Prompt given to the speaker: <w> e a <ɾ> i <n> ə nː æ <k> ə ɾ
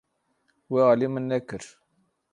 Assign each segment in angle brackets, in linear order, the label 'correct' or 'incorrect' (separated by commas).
correct, incorrect, incorrect, correct